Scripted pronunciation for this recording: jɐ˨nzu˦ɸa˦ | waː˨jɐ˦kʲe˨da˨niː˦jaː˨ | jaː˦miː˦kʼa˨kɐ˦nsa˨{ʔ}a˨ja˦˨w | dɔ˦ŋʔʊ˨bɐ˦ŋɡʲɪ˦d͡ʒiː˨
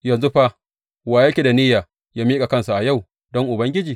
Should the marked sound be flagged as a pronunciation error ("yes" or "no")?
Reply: no